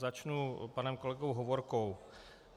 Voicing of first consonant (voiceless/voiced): voiced